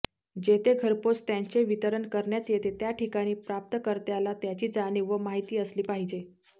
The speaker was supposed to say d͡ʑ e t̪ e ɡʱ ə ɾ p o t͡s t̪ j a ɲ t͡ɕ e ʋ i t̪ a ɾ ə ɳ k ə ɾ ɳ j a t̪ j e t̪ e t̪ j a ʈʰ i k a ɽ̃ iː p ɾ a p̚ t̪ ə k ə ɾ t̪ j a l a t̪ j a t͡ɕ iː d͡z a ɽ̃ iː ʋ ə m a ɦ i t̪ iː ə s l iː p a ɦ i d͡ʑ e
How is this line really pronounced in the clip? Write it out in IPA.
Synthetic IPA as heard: d͡ʑ e t̪ e ɡʱ ə ɾ p o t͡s t̪ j a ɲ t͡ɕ e ʋ i t̪ ə ɾ ə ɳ k ə ɾ ɳ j a t̪ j e t̪ e t̪ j a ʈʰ i k a ɽ̃ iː p ɾ a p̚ t̪ ə k ə ɾ t̪ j a l a t̪ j a t͡ɕ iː d͡z a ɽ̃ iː ʋ ə m a ɦ i t̪ iː ə s l iː p a ɦ i d͡ʑ e